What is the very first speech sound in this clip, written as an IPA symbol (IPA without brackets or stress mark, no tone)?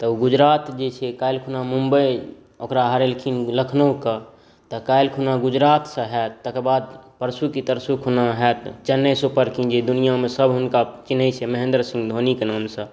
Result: t̪